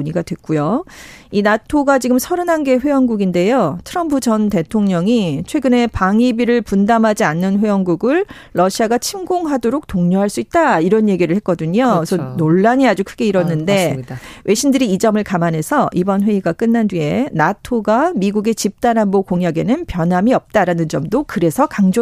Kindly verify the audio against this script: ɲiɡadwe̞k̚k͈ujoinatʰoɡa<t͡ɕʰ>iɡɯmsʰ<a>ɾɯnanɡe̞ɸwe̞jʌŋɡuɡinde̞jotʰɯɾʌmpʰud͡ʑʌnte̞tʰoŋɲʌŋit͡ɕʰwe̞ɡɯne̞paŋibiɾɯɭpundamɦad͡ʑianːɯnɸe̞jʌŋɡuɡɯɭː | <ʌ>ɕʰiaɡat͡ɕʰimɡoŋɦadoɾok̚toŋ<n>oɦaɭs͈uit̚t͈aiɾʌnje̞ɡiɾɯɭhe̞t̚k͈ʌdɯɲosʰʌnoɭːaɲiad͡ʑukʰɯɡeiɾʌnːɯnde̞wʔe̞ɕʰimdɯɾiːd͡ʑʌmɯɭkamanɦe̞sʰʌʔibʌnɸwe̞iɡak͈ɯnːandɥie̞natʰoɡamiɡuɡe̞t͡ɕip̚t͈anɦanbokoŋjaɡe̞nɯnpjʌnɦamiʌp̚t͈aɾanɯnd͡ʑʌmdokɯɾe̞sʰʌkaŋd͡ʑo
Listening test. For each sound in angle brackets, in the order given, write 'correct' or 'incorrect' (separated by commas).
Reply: incorrect, incorrect, correct, incorrect